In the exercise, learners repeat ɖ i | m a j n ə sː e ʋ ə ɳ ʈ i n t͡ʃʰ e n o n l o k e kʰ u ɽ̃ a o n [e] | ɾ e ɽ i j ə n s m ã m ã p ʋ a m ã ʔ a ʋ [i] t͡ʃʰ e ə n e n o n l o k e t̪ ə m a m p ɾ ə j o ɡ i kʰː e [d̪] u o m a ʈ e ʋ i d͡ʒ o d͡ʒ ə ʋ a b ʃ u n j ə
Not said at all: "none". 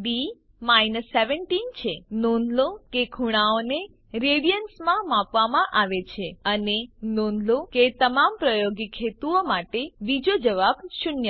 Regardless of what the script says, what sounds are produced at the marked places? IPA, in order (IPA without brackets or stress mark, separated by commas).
e, e, t̪